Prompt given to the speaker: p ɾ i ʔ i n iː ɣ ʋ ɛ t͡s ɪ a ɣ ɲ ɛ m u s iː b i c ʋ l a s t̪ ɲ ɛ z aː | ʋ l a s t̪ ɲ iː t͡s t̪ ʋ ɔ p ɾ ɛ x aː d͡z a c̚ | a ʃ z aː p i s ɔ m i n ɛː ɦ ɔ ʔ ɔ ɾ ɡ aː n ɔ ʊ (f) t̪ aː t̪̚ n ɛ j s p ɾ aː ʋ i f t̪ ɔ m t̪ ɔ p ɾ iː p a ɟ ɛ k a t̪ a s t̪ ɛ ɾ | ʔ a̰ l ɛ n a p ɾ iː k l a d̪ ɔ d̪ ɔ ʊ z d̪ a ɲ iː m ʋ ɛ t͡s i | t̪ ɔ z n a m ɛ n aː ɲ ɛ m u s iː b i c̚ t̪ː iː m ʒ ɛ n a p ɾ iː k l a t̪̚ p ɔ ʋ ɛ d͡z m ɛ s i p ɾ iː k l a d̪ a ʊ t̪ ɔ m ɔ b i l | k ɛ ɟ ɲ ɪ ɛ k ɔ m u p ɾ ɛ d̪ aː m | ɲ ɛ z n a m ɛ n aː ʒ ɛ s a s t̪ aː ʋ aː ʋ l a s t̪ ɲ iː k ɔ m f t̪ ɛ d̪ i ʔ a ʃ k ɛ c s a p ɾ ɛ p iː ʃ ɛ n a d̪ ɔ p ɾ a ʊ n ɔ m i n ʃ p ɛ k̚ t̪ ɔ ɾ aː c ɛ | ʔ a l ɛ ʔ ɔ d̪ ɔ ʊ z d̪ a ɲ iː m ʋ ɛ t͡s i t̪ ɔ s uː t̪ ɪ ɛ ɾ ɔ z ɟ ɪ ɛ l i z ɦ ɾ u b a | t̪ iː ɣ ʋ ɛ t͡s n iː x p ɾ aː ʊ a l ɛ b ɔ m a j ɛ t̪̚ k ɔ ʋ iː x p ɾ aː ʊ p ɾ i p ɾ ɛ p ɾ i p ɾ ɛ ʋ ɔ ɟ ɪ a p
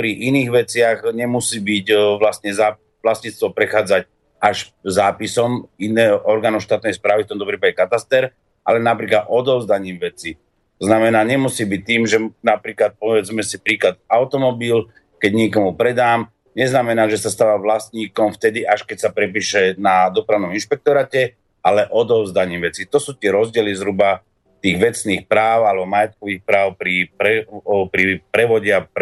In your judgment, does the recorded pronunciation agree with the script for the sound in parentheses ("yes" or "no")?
no